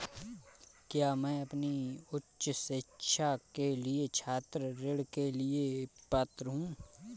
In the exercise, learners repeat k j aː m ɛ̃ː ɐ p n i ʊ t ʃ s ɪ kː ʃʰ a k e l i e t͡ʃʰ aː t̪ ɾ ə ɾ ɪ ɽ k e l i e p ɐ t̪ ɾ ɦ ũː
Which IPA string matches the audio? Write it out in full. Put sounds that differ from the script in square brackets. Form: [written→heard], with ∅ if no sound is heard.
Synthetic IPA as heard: k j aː m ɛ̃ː ɐ p n i ʊ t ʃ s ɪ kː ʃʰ a k e l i e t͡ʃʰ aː t̪ ɾ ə ɾ ɪ ɽ k e l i e p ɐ t̪ ɾ ɦ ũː